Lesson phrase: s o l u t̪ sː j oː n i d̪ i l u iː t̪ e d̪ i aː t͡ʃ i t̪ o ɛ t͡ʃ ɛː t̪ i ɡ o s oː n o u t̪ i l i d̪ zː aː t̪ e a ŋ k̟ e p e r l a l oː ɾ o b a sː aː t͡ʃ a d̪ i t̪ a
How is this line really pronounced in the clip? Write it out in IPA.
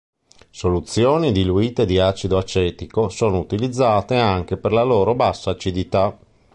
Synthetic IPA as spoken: s o l u t̪ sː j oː n i d̪ i l u iː t̪ e d̪ i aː t͡ʃ i d̪ o a t͡ʃ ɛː t̪ i k o s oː n o u t̪ i l i d̪ zː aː t̪ e a ŋ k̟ e p e r l a l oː ɾ o b a sː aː t͡ʃ i d̪ i t̪ a